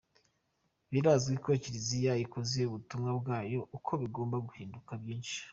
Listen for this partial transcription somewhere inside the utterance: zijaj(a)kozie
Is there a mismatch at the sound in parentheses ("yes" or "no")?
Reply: yes